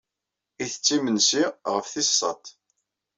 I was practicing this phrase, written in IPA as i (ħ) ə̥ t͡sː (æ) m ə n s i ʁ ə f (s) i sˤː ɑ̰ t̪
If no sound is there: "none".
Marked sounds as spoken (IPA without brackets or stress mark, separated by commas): θ, i, θ